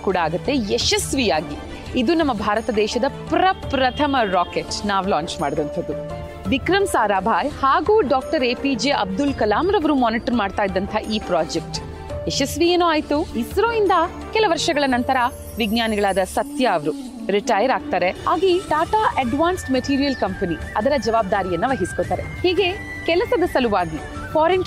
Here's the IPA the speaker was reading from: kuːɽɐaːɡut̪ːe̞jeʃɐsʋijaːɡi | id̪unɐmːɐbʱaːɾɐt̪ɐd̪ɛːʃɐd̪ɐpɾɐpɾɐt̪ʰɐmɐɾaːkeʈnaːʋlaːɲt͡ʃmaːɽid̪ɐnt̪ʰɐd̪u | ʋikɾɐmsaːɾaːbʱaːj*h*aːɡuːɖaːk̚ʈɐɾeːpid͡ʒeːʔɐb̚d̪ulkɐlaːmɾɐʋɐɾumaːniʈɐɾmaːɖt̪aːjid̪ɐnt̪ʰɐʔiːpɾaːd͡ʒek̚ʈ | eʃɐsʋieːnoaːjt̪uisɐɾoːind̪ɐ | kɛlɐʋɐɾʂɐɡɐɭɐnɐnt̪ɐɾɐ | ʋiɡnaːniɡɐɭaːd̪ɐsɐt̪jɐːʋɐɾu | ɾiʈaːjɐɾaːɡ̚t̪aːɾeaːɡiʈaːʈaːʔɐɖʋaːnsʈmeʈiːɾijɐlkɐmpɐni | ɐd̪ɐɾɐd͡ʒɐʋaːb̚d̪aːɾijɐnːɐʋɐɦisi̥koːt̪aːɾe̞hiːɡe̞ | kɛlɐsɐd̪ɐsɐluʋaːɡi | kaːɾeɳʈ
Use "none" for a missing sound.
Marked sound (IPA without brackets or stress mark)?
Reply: h